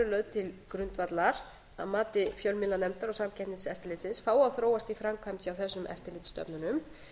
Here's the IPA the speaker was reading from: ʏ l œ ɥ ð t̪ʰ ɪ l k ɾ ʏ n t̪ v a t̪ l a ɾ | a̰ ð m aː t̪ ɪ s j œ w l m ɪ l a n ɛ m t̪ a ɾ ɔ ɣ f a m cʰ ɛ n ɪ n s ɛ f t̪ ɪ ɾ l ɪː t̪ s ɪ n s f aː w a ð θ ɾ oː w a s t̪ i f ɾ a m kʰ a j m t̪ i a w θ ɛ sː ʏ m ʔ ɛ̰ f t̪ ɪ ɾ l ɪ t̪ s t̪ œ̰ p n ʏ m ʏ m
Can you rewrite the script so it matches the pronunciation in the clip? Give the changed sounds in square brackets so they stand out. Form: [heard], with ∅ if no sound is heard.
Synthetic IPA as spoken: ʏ l œ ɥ ð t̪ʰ ɪ l k ɾ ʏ n t̪ v a t̪ l a ɾ | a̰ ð m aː t̪ ɪ [f] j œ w l m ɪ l a n ɛ m t̪ a ɾ ɔ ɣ [s] a m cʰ ɛ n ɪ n s ɛ f t̪ ɪ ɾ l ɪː t̪ s ɪ n s f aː w a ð θ ɾ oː w a s t̪ i f ɾ a m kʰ a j m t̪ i a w θ ɛ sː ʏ m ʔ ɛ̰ f t̪ ɪ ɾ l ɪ t̪ s t̪ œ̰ p n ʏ [n] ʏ m

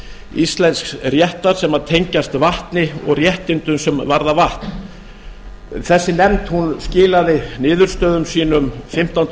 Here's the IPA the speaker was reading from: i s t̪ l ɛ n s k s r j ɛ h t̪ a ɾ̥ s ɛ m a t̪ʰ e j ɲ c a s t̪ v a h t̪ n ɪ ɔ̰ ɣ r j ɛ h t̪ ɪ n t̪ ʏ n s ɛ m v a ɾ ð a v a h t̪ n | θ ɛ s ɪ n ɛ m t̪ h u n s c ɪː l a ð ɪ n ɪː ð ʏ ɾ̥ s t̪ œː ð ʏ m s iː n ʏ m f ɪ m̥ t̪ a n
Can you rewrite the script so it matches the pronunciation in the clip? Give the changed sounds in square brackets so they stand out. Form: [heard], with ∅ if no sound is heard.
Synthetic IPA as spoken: i s t̪ l ɛ n s k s r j ɛ h t̪ a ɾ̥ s ɛ m a t̪ʰ e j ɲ c a s t̪ v a h t̪ n ɪ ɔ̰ ɣ r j ɛ h t̪ ɪ n t̪ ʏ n s ɛ m v a ɾ ð a v a h t̪ n | θ ɛ [sː] ɪ n ɛ m t̪ h u n s c ɪː l a ð ɪ n ɪː ð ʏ ɾ̥ s t̪ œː ð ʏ m s iː n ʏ m f ɪ m̥ t̪ a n

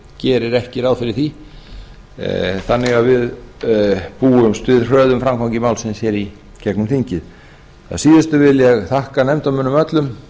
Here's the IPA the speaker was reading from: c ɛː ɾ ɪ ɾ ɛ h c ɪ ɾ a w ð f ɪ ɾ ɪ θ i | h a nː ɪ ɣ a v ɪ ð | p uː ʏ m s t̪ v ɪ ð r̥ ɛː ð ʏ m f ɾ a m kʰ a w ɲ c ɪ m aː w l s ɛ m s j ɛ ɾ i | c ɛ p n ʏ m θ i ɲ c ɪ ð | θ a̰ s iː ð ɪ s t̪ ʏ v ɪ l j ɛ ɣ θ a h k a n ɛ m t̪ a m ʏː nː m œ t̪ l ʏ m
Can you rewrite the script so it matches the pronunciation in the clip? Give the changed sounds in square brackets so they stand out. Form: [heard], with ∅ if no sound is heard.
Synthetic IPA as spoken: c ɛː ɾ ɪ ɾ ɛ h c ɪ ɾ a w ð f ɪ ɾ ɪ θ i | [θ] a nː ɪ ɣ a v ɪ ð | p uː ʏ m s t̪ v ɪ ð r̥ [œː] ð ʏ m f ɾ a m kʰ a w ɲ c ɪ m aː w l s ɛ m s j ɛ ɾ i | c ɛ [k] n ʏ m θ i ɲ c ɪ ð | θ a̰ s iː ð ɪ s t̪ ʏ v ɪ l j ɛ ɣ θ a h k a n ɛ m t̪ a m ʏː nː m œ t̪ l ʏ m

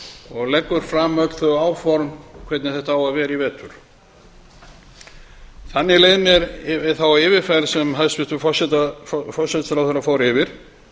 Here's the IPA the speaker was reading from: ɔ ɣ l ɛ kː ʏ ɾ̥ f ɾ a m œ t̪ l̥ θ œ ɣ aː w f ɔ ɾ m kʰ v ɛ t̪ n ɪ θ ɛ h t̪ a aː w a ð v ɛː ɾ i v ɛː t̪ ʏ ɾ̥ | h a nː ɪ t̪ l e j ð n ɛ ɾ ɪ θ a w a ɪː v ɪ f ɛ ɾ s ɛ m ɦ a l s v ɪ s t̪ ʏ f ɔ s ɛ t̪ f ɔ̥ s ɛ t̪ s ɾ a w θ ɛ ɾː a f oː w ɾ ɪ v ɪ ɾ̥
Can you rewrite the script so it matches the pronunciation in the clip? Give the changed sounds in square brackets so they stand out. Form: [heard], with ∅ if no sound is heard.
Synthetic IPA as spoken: ɔ ɣ l ɛ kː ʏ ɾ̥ f ɾ a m œ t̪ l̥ θ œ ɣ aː w f ɔ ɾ m kʰ v ɛ t̪ n ɪ θ ɛ h t̪ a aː w a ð v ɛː ɾ i v ɛː t̪ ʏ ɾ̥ | [θ] a nː ɪ [∅] l e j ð n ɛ ɾ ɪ θ a w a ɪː v ɪ f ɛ ɾ s ɛ m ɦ a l s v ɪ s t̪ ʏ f ɔ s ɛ t̪ f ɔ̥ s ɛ t̪ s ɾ a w θ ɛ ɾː a f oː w ɾ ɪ v ɪ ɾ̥

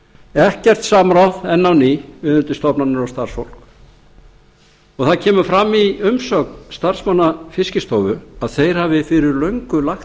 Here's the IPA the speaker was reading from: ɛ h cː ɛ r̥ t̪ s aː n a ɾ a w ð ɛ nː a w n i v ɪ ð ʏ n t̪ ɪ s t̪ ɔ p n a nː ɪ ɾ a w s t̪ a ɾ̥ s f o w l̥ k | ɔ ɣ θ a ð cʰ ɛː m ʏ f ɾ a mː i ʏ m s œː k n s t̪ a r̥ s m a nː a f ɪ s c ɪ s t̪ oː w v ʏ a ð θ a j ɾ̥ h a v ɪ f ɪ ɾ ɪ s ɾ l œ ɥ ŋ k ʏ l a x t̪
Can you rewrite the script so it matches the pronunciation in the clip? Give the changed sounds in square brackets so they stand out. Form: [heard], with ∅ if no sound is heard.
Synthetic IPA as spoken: ɛ h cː ɛ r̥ t̪ s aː [m] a ɾ a w ð ɛ nː a w n i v ɪ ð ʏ n t̪ ɪ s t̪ ɔ p n a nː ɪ ɾ a w s t̪ a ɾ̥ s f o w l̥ k | ɔ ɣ θ a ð cʰ ɛː m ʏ f ɾ a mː i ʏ m s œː k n s t̪ a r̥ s m a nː a f ɪ s c ɪ s t̪ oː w v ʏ a ð θ [e] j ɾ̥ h a v ɪ f ɪ ɾ ɪ [∅] ɾ l œ ɥ ŋ k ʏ l a x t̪

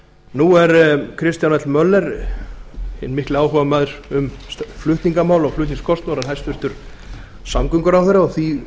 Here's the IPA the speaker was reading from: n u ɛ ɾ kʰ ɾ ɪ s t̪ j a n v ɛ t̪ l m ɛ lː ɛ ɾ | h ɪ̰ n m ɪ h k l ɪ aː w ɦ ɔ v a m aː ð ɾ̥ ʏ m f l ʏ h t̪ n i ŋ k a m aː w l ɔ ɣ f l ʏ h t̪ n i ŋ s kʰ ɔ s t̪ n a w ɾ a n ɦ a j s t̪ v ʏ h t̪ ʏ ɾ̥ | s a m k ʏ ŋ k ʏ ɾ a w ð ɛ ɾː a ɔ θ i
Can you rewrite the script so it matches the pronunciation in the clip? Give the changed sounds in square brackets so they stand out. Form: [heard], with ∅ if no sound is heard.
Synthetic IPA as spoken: n u ɛ ɾ kʰ ɾ ɪ s t̪ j a n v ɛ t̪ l m [œ] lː ɛ ɾ | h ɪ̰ n m ɪ h k l ɪ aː w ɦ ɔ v a m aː ð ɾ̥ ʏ m f l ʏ h t̪ n i ŋ k a m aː w l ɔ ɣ f l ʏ h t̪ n i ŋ s kʰ ɔ s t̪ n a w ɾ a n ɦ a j s t̪ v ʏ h t̪ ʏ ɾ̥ | s a m k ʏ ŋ k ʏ ɾ a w [θ] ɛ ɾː a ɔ θ i

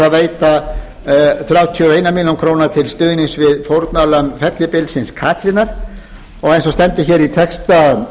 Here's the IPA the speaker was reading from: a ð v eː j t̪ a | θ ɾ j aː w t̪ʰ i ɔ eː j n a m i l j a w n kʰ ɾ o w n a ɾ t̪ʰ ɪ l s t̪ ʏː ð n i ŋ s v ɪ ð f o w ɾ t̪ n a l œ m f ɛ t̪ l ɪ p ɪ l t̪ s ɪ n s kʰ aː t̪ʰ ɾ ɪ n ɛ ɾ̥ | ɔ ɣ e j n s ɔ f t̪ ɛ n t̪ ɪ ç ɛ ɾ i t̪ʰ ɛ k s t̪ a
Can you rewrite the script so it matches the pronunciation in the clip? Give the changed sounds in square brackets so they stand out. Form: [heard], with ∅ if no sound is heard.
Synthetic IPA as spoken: a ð v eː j t̪ a | θ ɾ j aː w t̪ʰ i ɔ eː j n a m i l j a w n kʰ ɾ o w n a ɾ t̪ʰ ɪ l s t̪ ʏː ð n i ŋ s v ɪ ð f o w ɾ t̪ n a l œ m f ɛ t̪ l ɪ p ɪ l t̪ s ɪ n s kʰ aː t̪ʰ ɾ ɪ n [a] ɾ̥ | ɔ ɣ e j n s ɔ [s] t̪ ɛ n t̪ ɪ ç ɛ ɾ i t̪ʰ ɛ k s t̪ a

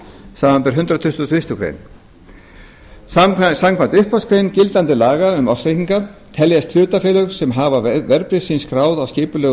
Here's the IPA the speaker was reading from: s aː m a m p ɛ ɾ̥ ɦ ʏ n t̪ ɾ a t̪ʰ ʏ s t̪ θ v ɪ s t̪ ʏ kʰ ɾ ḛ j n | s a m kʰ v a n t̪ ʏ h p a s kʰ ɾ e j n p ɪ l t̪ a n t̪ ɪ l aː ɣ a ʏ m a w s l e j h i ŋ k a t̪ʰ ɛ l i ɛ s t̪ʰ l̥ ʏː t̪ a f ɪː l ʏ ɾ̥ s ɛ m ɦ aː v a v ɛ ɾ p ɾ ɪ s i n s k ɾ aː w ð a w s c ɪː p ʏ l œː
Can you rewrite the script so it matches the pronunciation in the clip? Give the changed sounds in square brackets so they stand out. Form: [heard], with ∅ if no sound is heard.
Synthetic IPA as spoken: s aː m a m p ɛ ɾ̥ ɦ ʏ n t̪ ɾ a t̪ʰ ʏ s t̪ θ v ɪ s t̪ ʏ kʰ ɾ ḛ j n | s a m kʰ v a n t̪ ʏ h p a s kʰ ɾ e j n [c] ɪ l t̪ a n t̪ ɪ l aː ɣ a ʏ m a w s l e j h i ŋ k a t̪ʰ ɛ l [j] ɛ s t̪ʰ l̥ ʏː t̪ a f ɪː l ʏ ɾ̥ s ɛ m ɦ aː v a v ɛ ɾ p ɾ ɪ s i n s k ɾ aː w ð a w s c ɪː p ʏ l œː

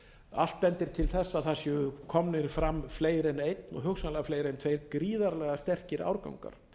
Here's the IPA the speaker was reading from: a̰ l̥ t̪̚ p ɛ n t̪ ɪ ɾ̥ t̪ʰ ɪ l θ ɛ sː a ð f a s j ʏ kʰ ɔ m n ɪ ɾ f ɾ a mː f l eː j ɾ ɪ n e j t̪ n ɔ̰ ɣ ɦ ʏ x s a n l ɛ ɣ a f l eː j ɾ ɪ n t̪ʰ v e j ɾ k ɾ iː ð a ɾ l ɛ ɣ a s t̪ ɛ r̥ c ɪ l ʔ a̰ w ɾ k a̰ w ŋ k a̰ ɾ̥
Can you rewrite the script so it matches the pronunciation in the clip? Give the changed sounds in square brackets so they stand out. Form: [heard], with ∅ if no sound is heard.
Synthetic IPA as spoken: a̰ l̥ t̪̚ p ɛ n t̪ ɪ ɾ̥ t̪ʰ ɪ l θ ɛ sː a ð [θ] a s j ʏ kʰ ɔ m n ɪ ɾ f ɾ a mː f l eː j ɾ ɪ n e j t̪ n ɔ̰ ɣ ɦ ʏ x s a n l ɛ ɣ a f l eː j ɾ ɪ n t̪ʰ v e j ɾ k ɾ iː ð a ɾ l ɛ ɣ a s t̪ ɛ r̥ c ɪ [ɾ] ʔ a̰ w ɾ k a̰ w ŋ k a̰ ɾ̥

